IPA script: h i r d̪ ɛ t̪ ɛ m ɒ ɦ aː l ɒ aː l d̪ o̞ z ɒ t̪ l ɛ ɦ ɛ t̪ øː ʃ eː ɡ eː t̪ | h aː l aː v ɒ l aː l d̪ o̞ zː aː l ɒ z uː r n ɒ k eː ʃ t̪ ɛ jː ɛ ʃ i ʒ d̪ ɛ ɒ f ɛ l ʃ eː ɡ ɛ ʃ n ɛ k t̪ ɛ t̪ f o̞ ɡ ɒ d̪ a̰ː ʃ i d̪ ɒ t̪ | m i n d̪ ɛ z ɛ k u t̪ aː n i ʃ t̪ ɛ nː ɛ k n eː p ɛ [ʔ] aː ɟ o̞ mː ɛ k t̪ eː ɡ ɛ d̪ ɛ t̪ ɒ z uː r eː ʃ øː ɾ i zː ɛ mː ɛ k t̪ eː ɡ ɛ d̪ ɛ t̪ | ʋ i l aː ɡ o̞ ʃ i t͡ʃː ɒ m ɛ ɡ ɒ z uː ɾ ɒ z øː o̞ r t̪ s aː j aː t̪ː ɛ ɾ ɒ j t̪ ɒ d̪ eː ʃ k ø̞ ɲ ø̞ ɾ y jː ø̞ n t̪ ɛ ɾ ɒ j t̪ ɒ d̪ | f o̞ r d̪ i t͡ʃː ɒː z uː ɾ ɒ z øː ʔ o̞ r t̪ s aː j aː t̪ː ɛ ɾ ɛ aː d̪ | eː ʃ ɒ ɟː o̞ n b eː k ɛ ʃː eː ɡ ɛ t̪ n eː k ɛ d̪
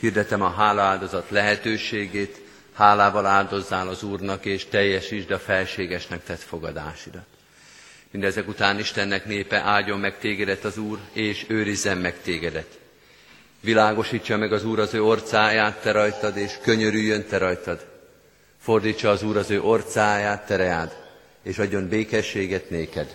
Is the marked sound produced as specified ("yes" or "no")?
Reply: yes